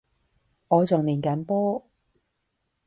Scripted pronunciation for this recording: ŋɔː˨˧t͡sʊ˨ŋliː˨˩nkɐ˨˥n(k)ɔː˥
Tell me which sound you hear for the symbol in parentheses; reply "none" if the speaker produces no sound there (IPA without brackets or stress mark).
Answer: p